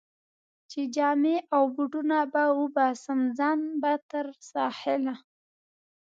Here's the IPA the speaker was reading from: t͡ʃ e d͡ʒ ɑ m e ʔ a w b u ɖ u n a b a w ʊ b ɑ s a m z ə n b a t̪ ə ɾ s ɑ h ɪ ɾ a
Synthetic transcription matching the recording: t͡ʃ e d͡ʒ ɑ m e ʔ a w b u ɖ u n a b a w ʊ b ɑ s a m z ɑ n b a t̪ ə ɾ s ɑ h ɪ l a